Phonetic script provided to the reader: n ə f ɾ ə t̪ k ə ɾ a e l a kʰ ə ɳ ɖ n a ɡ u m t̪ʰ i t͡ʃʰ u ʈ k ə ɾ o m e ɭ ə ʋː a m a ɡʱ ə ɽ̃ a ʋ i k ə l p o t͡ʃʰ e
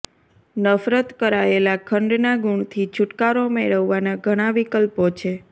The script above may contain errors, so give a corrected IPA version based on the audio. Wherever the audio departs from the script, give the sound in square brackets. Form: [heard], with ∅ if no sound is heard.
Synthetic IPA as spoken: n ə f ɾ ə t̪ k ə ɾ a e l a kʰ ə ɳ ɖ n a ɡ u [ɳ] t̪ʰ i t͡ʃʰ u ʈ k [a] ɾ o m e ɭ ə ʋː a [n] a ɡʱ ə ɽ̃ a ʋ i k ə l p o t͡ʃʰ e